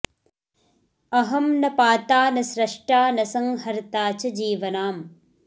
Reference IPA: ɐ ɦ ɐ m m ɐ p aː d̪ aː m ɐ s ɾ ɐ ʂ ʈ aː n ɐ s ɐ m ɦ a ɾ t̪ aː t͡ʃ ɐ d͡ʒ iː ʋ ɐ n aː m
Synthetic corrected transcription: ɐ ɦ ɐ m n ɐ p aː t̪ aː n ɐ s ɾ ɐ ʂ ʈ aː n ɐ s ɐ ŋ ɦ ɐ ɾ t̪ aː t͡ʃ ɐ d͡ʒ iː ʋ ɐ n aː m